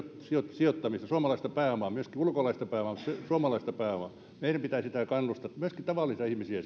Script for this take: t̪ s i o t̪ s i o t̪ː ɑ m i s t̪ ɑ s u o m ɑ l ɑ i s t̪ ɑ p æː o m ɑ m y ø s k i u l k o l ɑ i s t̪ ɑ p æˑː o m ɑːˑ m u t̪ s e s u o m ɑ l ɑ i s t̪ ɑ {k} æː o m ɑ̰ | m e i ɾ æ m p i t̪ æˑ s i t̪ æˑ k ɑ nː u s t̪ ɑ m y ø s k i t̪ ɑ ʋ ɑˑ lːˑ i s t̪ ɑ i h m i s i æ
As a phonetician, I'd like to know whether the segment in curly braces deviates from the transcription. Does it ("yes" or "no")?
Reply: yes